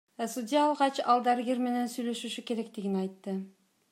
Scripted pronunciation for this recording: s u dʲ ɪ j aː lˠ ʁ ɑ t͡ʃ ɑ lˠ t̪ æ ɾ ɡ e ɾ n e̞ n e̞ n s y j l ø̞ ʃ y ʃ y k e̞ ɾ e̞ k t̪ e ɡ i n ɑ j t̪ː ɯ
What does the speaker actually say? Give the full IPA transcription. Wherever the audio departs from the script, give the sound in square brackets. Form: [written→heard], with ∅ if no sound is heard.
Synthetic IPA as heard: s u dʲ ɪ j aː lˠ ʁ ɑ t͡ʃ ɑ lˠ [t̪→d̪] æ ɾ ɡ e ɾ [n→m] e̞ n e̞ n s y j l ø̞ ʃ y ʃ y k e̞ ɾ e̞ k t̪ [e→i] ɡ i n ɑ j t̪ː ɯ